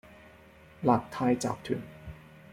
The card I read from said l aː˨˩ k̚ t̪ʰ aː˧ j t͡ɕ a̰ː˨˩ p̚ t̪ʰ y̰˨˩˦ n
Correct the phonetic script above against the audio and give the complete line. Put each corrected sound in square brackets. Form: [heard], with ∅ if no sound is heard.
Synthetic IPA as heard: l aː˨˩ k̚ t̪ʰ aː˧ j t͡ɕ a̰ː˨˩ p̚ t̪ʰ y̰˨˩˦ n